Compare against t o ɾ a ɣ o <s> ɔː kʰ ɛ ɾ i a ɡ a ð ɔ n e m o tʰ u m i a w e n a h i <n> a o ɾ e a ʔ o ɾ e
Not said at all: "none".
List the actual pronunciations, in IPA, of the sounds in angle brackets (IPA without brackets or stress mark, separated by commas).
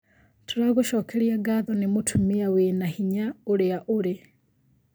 ʃ, ɲ